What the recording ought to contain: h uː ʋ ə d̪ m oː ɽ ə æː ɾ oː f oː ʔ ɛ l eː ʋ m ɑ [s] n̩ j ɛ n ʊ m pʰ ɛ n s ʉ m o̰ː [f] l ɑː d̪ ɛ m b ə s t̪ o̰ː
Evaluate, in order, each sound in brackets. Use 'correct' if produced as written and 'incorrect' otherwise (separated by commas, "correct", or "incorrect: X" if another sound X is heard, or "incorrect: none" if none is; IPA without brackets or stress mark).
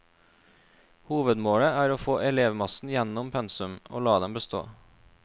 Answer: correct, incorrect: none